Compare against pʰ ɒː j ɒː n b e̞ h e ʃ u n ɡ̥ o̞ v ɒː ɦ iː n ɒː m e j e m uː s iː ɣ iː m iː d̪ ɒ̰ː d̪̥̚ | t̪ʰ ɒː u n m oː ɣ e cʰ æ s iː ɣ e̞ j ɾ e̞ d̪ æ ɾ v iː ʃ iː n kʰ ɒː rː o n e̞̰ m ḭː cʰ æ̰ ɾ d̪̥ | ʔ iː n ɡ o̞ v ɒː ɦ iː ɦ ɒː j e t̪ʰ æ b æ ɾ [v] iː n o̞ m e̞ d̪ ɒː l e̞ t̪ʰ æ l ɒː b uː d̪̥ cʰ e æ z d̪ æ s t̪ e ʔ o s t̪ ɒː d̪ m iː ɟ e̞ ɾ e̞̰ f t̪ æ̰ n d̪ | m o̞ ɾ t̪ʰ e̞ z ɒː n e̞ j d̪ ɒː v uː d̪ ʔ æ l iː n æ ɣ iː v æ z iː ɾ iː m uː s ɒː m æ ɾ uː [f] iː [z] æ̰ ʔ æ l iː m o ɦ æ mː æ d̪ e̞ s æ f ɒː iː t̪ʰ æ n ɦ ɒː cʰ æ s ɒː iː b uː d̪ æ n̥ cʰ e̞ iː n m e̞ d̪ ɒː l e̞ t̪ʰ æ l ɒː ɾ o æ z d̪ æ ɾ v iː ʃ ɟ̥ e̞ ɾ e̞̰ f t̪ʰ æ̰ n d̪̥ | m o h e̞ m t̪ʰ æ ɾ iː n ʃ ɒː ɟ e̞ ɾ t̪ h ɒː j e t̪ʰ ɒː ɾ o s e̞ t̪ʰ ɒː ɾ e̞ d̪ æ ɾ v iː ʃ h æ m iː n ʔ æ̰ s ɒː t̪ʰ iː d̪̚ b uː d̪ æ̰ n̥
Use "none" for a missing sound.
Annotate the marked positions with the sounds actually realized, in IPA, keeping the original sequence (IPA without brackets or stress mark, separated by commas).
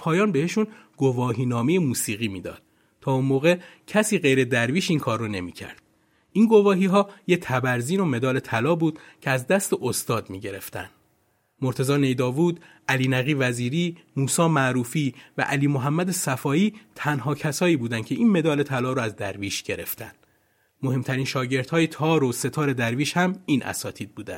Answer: z, f, v